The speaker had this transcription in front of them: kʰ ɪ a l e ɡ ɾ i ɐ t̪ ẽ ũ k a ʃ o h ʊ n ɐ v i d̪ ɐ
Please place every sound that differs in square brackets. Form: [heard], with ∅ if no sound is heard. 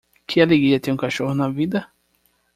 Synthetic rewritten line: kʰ ɪ a l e ɡ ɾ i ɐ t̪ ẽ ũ k a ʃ o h ʊ n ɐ v i d̪ ɐ

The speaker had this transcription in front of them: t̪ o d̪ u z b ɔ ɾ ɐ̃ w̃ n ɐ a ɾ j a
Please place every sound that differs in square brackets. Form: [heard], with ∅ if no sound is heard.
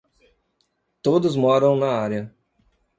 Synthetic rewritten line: t̪ o d̪ [ʊ] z [m] ɔ ɾ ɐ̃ w̃ n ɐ a ɾ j [ɐ]

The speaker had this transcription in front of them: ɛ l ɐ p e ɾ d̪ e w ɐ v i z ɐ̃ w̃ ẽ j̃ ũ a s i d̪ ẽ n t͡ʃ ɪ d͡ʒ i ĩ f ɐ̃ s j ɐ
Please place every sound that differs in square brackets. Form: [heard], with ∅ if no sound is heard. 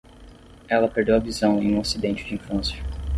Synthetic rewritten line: ɛ l ɐ p e ɾ d̪ e w ɐ v i z ɐ̃ w̃ ẽ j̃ ũ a s i d̪ ẽ n t͡ʃ ɪ d͡ʒ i ĩ f ɐ̃ s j ɐ

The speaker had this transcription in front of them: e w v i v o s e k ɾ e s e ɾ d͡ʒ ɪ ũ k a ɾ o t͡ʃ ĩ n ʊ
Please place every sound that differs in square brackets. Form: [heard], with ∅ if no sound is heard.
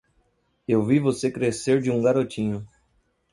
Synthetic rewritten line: e w v i v o s e k ɾ e s e ɾ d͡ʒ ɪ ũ [ɡ] a ɾ o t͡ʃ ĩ [ɲ] ʊ

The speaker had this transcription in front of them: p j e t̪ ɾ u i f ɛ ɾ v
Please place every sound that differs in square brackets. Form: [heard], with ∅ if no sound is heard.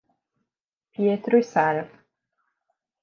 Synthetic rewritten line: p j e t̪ ɾ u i [s] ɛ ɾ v

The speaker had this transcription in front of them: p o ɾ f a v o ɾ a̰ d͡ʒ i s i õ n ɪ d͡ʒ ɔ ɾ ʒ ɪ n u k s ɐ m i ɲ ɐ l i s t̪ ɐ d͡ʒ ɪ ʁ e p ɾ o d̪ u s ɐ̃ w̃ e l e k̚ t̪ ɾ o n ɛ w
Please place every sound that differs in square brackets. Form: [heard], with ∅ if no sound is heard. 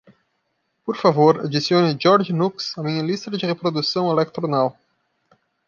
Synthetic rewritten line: p o ɾ f a v o ɾ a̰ d͡ʒ i s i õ n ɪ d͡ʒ ɔ ɾ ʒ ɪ n u k s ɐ m [ĩ] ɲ ɐ l i s t̪ ɐ d͡ʒ ɪ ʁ e p ɾ o d̪ u s ɐ̃ w̃ e l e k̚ t̪ ɾ o n [a] w

